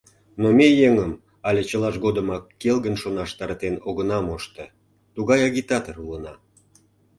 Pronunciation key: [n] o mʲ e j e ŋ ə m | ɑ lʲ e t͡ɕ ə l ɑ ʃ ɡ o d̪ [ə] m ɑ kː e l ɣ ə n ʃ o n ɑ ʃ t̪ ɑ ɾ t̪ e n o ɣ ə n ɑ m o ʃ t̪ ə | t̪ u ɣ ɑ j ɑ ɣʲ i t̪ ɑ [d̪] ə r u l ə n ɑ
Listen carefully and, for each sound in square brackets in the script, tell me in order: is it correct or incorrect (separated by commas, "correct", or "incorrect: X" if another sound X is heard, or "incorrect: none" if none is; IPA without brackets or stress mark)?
correct, correct, incorrect: t̪